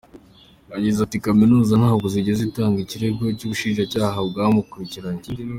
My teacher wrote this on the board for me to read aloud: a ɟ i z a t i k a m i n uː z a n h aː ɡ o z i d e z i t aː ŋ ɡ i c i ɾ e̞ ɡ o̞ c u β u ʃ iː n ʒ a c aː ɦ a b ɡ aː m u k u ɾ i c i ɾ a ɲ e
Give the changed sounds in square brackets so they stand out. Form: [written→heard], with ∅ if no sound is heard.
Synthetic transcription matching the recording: a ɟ i z a t i k a m i n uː z a n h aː ɡ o z i [d→ɟ] e z i t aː ŋ ɡ i c i ɾ e̞ ɡ o̞ c u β u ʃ iː n ʒ a c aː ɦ a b ɡ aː m u k u ɾ i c i ɾ a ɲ e